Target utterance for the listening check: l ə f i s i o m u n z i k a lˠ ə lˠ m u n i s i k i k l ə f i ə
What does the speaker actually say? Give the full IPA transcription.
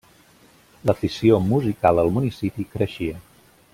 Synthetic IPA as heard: l ə f i s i o m u z i k a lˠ ə lˠ m u n i s i p i k ɾ ə ʃ i ə